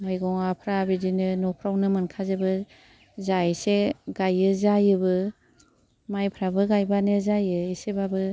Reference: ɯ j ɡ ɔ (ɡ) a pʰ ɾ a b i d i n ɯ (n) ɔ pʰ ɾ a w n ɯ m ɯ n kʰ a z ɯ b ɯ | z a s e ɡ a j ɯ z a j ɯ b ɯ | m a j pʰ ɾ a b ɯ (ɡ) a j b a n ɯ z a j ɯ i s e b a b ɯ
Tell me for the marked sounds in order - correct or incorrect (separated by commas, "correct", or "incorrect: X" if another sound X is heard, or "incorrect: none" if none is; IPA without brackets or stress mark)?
incorrect: ŋ, correct, correct